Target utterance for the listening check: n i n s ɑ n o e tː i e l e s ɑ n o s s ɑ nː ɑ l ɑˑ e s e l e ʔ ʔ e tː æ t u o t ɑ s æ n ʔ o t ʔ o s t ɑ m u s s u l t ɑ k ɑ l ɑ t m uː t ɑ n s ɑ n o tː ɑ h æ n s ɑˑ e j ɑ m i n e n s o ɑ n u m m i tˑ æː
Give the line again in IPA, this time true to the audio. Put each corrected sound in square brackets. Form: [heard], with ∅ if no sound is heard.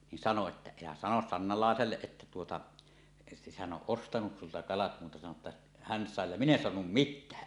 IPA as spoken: n i n s ɑ n o e tː [æ] e l [æ] s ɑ n o s s ɑ nː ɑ l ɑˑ e s e [lː] e ʔ ʔ e tː æ t u o t ɑ [h] æ n ʔ o [ʔ] ʔ o s t ɑ [n] u s s u l t ɑ k ɑ l ɑ t m uː t ɑ [∅] s ɑ n o tː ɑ h æ n s ɑˑ e j ɑ m i n e n s o ɑ n u m m i tˑ æː